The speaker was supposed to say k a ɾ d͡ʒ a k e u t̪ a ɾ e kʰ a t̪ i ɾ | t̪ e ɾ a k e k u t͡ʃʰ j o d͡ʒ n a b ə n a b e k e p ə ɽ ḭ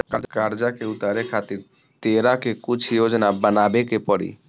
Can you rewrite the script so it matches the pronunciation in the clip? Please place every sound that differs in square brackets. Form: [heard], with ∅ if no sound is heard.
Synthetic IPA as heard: k a ɾ d͡ʒ a k e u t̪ a ɾ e kʰ a t̪ i ɾ | t̪ e ɾ a k e k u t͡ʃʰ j o d͡ʒ n a b ə n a b e k e p ə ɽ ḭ